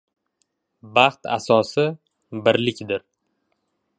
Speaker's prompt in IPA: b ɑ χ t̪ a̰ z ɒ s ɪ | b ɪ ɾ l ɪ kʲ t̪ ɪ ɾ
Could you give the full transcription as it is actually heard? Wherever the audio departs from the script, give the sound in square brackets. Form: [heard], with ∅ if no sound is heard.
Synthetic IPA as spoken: b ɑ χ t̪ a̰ [s] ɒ s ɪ | b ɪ ɾ l ɪ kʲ [d̪] ɪ ɾ